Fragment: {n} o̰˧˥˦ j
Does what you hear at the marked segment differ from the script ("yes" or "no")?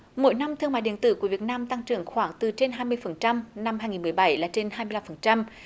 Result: yes